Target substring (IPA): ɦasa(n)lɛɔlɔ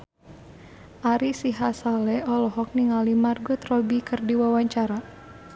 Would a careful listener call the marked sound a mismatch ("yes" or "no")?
yes